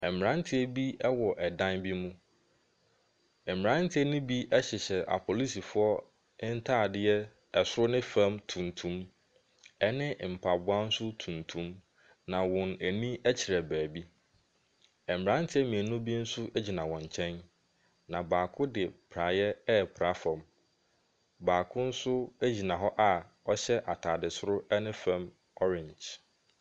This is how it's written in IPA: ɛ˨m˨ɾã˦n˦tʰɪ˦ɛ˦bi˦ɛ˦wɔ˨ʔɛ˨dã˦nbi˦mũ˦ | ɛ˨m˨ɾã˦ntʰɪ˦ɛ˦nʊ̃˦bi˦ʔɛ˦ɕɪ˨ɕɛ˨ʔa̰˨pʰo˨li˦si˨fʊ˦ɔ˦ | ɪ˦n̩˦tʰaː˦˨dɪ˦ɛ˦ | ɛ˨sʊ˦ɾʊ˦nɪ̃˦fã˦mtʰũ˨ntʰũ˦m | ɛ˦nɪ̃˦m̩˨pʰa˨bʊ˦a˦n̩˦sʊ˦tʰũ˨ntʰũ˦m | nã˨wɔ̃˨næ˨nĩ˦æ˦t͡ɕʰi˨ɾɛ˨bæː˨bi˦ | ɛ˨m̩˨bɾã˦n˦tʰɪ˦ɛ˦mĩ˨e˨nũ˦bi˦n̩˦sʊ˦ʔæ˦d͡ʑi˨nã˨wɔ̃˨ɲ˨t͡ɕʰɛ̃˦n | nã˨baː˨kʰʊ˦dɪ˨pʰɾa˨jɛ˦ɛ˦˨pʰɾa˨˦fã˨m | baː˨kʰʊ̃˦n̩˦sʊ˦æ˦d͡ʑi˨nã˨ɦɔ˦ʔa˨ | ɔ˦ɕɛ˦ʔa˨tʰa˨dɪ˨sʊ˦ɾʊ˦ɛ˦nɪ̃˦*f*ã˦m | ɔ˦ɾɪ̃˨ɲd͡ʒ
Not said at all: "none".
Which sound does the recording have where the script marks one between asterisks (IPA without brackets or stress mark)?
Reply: f